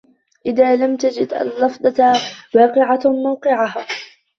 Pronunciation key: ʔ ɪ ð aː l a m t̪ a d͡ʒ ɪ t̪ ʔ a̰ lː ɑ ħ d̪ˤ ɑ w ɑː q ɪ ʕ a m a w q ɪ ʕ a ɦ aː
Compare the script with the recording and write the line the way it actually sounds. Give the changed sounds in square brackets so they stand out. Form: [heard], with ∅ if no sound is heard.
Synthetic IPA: ʔ ɪ ð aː l a m t̪ a d͡ʒ ɪ [d̪] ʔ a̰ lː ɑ [f] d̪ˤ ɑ w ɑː q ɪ ʕ a m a w q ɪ ʕ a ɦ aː